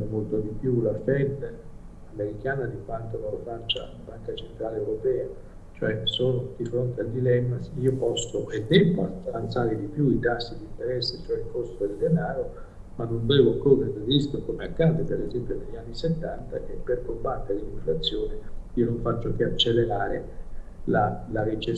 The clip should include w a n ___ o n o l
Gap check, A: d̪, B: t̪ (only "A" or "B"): B